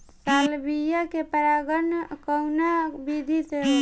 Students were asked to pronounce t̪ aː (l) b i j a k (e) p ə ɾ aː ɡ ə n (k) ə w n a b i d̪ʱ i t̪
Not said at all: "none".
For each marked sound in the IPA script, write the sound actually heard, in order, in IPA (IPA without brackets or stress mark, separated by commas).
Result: l, e, k